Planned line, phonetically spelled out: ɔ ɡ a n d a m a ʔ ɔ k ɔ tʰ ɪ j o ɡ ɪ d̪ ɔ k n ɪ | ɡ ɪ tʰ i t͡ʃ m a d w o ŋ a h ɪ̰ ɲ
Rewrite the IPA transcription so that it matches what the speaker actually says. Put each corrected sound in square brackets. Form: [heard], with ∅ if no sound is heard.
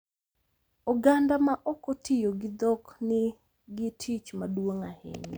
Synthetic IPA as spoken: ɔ ɡ a n d a m a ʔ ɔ k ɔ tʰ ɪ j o ɡ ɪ d̪ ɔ k n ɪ | ɡ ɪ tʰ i t͡ʃ m a d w o ŋ a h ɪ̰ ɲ

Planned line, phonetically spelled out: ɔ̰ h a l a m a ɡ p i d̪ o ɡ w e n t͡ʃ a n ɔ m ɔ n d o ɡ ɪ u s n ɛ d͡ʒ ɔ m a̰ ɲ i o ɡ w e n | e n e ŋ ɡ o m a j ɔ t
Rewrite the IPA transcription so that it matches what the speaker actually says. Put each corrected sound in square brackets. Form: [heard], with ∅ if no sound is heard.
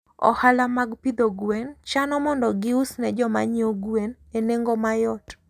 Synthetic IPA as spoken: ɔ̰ h a l a m a ɡ p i d̪ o ɡ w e n t͡ʃ a n ɔ m ɔ n d [ɔ] ɡ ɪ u s n ɛ d͡ʒ ɔ m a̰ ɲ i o ɡ w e n | e n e ŋ ɡ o m a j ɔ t

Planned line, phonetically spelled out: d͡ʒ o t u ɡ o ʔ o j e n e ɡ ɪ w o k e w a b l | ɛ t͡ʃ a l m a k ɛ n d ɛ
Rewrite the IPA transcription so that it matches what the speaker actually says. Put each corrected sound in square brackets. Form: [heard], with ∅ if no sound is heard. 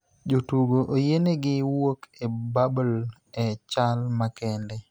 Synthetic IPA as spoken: d͡ʒ o t u ɡ o ʔ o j e n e ɡ ɪ w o k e [b] a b l | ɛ t͡ʃ a l m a k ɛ n d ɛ

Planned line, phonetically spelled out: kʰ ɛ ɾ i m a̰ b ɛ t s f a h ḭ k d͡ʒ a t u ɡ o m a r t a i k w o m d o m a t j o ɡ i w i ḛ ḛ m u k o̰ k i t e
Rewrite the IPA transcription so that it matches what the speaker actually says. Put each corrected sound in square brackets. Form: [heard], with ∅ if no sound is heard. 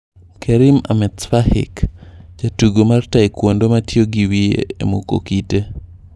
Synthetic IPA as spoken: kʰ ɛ ɾ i m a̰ [m] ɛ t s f a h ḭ k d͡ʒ a t u ɡ o m a r t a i k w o [n] d o m a t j o ɡ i w i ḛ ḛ m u k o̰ k i t e

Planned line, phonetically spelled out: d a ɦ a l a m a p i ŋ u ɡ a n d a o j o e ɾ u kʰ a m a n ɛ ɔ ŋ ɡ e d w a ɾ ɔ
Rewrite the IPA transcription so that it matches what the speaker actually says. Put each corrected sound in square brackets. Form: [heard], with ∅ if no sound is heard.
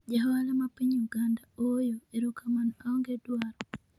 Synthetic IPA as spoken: [d͡ʒ] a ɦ a l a m a p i [ɲ] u ɡ a n d a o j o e ɾ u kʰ a m a n [a] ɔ ŋ ɡ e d w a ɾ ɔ

